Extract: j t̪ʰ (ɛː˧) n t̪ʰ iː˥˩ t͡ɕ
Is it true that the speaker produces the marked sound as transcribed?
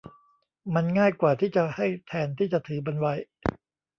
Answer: yes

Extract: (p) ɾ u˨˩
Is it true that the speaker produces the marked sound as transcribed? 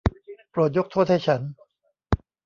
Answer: yes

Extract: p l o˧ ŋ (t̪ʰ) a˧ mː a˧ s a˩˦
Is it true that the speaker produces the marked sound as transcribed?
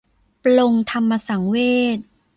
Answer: yes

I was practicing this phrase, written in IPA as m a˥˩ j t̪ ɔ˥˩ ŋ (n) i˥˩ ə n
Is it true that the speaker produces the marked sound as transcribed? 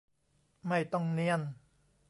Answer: yes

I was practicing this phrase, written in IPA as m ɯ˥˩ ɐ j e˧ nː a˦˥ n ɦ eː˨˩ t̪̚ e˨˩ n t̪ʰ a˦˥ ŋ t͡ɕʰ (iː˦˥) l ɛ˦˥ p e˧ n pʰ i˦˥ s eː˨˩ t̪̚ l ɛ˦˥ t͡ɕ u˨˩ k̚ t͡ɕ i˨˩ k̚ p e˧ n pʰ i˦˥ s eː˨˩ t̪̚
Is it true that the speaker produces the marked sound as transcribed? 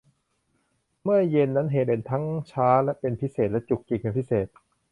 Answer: no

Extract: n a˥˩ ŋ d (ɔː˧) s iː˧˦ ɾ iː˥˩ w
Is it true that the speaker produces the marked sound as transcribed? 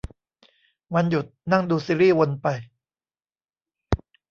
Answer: no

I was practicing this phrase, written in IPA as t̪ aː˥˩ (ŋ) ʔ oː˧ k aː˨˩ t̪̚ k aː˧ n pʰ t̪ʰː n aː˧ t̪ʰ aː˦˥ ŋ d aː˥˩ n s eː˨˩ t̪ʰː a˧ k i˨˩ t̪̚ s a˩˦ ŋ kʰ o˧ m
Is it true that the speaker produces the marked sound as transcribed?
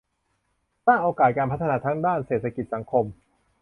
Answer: yes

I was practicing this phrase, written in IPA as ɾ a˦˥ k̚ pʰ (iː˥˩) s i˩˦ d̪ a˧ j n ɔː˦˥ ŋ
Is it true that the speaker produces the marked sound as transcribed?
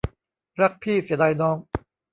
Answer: yes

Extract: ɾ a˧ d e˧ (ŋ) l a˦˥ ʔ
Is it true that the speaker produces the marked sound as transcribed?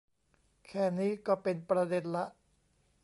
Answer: no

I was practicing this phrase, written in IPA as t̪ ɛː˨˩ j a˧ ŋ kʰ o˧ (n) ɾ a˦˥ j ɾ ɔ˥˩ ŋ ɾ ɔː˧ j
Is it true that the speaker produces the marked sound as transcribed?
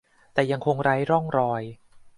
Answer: no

